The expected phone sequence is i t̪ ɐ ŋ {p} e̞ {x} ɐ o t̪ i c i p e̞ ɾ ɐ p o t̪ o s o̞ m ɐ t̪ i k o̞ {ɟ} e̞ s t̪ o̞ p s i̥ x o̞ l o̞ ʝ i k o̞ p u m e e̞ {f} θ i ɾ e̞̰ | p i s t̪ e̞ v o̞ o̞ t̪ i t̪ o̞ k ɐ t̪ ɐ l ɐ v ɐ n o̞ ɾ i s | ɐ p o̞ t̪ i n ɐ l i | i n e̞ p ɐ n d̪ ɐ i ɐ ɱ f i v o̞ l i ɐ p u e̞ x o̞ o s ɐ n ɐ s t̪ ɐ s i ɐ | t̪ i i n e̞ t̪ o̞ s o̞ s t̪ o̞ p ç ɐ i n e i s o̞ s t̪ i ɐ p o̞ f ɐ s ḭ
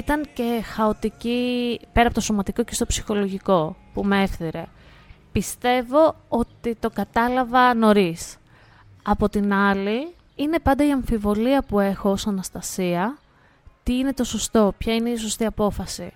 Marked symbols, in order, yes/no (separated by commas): no, yes, no, yes